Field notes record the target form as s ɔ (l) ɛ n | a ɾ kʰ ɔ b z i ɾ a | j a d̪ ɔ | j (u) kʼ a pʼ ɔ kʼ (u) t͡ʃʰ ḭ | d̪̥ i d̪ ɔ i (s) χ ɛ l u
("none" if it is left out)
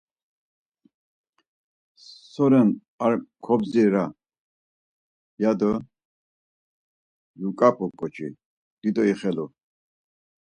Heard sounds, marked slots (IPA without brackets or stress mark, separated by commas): ɾ, u, ɔ, none